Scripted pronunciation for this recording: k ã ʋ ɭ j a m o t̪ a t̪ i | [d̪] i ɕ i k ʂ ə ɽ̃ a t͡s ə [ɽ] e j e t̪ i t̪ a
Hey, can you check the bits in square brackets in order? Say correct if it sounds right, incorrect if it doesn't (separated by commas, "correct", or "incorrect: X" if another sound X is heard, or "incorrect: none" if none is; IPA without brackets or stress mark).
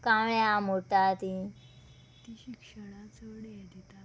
incorrect: t̪, correct